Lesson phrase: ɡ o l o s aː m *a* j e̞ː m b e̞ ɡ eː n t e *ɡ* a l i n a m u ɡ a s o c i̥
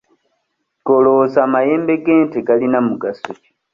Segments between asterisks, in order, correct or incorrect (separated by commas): correct, correct